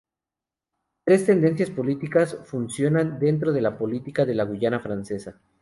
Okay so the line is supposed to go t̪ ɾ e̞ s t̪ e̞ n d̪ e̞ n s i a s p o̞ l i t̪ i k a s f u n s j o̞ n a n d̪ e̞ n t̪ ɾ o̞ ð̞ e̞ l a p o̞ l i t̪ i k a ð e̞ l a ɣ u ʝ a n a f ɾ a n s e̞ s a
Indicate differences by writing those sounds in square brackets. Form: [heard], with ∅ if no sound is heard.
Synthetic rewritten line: t̪ ɾ e̞ s t̪ e̞ n d̪ e̞ n s [j] a s p o̞ l i t̪ i k a s f u n s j o̞ n a n d̪ e̞ n t̪ ɾ o̞ ð̞ e̞ l a p o̞ l i t̪ i k a ð e̞ l a ɣ u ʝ a n a f ɾ a n s e̞ s a